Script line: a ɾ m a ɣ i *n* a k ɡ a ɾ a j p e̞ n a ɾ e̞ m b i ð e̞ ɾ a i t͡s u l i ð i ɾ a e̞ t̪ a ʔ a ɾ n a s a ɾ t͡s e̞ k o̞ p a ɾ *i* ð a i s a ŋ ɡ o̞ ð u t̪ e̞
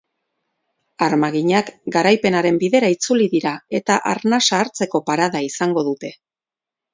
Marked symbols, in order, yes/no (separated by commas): no, no